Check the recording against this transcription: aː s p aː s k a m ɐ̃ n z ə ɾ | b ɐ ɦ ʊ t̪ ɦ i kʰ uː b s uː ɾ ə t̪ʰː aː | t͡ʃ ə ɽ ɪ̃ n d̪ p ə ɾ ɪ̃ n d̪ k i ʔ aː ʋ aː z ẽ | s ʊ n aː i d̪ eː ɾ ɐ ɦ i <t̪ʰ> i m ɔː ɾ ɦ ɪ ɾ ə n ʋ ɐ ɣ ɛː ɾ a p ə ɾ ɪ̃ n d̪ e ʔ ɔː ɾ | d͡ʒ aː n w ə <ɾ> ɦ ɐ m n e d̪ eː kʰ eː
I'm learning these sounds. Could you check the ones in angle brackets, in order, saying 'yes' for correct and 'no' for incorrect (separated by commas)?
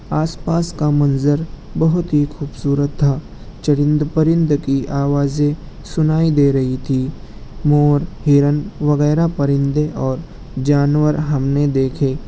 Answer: yes, yes